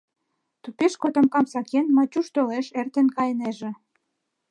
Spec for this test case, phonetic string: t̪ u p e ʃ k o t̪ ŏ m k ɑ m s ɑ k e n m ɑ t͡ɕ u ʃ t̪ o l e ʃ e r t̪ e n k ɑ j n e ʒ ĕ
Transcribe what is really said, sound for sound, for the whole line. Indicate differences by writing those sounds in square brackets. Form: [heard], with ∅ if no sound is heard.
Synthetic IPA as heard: t̪ u p e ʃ k o t̪ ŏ m k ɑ m s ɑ k e n m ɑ t͡ɕ u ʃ t̪ o l e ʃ e r t̪ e n k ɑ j n e ʒ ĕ